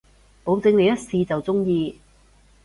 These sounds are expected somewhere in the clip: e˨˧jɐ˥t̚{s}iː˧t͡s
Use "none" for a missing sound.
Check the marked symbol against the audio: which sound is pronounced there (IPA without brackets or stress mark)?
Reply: s